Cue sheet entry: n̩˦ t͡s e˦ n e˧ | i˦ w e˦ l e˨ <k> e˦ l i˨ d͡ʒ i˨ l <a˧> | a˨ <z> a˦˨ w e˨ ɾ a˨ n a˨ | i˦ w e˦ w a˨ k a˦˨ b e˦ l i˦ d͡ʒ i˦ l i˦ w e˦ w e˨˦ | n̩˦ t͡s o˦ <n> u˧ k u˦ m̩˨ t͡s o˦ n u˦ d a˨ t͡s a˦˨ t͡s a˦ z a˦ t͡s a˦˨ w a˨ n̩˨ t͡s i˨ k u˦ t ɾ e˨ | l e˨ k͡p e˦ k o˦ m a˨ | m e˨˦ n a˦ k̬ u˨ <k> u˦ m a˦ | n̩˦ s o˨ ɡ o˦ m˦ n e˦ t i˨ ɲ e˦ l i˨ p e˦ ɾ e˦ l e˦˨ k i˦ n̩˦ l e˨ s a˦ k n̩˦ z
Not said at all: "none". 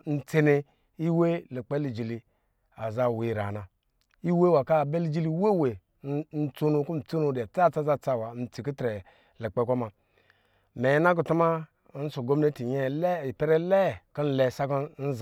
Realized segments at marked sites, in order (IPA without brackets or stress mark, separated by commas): k͡p, i˧, z, n, t